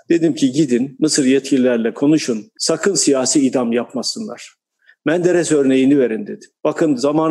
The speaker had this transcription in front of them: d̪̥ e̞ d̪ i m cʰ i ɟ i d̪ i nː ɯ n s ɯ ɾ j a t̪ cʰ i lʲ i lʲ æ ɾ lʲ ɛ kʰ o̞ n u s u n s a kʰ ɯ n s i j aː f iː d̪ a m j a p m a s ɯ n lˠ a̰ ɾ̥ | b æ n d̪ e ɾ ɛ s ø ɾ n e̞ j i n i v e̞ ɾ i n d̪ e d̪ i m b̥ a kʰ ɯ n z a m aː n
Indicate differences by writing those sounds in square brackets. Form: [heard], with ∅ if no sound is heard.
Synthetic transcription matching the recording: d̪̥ e̞ d̪ i m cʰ i ɟ i d̪ i nː ɯ [∅] s ɯ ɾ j [ɛ] t̪ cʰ i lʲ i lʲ æ ɾ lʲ ɛ kʰ o̞ n u [ʃ] u n s a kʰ ɯ n s i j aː [s] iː d̪ a m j a p m a s ɯ n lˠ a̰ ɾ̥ | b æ n d̪ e ɾ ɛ s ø ɾ n e̞ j i n i v e̞ ɾ i n d̪ e d̪ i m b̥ a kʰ ɯ n z a m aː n